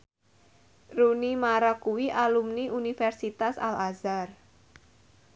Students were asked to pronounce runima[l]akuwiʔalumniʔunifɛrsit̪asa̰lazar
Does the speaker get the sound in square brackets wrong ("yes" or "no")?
yes